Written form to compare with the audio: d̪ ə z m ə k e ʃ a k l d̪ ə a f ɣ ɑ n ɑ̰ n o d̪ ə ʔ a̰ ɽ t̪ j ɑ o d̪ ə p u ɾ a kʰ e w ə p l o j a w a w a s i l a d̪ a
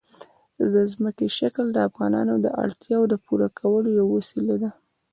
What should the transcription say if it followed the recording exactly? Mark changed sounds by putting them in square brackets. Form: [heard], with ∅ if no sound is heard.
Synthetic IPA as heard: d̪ ə z m ə k e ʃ a k l d̪ ə a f ɣ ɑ n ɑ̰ n o d̪ ə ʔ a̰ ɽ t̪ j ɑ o d̪ ə p u ɾ a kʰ [a] w ə [∅] l o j a w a w a s i l a d̪ a